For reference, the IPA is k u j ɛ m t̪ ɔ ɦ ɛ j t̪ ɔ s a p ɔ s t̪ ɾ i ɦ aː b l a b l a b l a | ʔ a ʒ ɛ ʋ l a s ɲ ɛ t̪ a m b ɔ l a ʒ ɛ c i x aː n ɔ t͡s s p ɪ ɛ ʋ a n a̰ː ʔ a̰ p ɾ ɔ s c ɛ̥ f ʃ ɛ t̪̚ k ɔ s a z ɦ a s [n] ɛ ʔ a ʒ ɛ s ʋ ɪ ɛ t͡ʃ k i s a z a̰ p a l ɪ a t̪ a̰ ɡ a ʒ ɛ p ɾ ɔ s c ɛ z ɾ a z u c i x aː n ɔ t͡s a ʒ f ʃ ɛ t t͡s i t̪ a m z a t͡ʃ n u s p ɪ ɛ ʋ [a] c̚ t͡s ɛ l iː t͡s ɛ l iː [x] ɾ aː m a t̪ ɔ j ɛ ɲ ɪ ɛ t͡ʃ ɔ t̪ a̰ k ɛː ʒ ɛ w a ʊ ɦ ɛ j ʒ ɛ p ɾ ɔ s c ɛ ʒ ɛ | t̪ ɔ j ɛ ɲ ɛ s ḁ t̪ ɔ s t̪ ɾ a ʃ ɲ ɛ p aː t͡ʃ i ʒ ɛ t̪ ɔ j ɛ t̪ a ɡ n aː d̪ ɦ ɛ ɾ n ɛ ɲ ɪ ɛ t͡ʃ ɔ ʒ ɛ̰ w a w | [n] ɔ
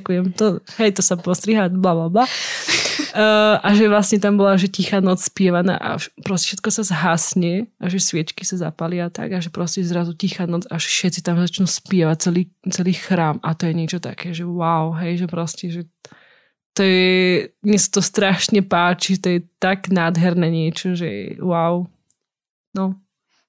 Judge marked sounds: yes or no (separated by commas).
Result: no, yes, yes, yes